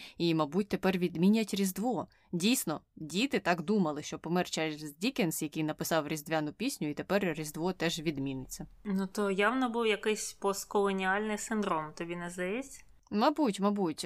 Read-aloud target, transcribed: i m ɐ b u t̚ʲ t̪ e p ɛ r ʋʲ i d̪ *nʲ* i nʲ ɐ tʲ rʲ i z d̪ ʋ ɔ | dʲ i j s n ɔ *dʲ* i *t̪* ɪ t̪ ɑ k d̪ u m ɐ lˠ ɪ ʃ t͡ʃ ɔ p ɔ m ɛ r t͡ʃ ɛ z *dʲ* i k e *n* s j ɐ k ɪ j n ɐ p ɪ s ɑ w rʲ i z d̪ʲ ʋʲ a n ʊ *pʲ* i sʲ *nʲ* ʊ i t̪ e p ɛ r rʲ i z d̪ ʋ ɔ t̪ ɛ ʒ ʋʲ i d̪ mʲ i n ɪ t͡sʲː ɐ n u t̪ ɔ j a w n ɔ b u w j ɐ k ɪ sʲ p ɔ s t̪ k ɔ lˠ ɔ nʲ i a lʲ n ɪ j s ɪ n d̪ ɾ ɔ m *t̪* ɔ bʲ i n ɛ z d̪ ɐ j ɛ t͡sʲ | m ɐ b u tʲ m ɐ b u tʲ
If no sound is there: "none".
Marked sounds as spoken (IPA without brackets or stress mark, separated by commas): mʲ, dʲ, t̪, dʲ, n, pʲ, nʲ, t̪